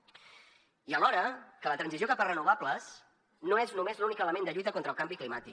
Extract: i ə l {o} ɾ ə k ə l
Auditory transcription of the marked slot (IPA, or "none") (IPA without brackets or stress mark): ɔ